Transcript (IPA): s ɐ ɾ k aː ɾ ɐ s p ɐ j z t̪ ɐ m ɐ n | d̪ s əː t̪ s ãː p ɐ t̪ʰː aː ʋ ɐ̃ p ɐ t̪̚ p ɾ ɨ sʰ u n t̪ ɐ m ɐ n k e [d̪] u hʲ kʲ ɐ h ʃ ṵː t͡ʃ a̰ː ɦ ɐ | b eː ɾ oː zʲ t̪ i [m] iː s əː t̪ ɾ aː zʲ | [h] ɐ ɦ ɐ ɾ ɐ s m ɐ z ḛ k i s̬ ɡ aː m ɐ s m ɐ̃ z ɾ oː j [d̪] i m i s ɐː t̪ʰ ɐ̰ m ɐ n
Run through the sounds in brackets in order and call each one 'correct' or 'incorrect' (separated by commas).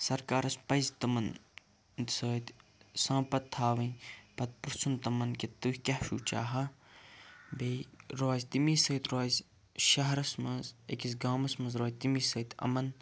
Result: incorrect, correct, incorrect, incorrect